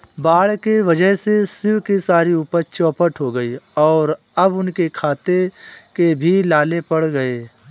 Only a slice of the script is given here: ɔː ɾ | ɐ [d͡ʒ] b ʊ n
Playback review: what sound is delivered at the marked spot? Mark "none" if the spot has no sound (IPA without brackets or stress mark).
none